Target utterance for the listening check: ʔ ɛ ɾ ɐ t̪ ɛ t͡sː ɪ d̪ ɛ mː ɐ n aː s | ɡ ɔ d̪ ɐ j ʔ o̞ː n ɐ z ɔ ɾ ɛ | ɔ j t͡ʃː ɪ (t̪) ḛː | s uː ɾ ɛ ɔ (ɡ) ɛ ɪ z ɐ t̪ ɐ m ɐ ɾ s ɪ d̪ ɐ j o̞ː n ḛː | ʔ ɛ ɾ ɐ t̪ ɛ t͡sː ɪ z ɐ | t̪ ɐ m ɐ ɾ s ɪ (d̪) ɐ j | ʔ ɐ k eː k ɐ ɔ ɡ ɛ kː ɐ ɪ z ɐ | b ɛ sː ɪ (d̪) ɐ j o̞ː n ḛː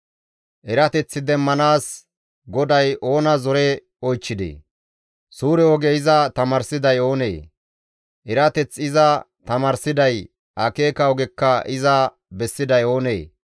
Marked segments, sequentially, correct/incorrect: incorrect: d̪, correct, correct, correct

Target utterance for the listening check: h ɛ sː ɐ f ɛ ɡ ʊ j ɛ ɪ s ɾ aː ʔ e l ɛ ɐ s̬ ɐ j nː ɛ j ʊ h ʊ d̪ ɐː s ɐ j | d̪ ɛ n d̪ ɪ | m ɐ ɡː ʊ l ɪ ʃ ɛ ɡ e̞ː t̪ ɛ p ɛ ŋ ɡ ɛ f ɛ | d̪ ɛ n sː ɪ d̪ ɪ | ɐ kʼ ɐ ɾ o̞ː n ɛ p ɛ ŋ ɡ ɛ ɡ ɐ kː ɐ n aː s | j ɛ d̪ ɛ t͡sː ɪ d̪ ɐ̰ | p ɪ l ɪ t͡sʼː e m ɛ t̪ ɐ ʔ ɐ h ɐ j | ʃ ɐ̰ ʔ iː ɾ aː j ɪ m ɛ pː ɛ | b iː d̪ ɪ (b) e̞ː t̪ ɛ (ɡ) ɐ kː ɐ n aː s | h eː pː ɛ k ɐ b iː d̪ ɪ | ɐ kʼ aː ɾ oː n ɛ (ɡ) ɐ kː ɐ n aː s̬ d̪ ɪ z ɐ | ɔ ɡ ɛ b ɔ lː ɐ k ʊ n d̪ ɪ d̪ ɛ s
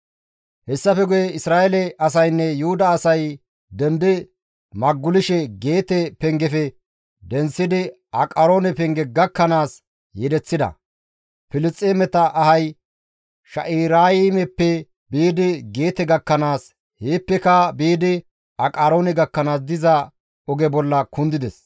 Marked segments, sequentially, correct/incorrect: incorrect: ɡ, correct, correct

